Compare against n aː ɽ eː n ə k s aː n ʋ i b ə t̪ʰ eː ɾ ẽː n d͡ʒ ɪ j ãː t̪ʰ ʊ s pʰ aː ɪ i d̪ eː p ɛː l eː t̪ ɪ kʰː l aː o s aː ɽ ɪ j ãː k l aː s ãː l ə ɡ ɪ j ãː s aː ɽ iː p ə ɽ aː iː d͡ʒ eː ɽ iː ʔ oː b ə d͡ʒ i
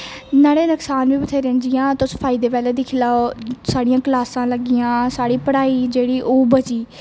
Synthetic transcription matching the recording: n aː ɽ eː n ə k s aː n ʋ iː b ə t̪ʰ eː ɾ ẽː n d͡ʒ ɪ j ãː t̪ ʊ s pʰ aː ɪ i d̪ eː p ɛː l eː d̪ ɪ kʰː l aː o s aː ɽ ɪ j ãː k l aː s ãː l ə ɡ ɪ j ãː s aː ɽ iː p ə ɽ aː iː d͡ʒ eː ɽ iː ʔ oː b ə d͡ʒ iː